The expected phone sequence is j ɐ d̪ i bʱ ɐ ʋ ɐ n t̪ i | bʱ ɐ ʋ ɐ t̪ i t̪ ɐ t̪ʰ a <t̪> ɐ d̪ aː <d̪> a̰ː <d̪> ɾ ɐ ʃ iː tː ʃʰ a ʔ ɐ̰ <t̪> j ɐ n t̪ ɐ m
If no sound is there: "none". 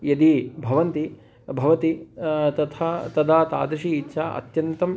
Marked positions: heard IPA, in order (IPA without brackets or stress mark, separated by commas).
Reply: t̪, t̪, d̪, t̪